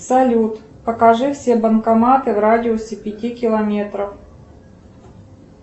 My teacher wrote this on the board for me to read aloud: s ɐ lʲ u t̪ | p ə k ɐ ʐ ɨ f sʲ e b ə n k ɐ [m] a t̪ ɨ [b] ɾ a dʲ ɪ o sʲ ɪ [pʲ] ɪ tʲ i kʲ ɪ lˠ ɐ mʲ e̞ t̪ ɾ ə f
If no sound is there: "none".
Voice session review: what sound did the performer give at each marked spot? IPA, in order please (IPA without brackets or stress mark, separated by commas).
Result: m, v, pʲ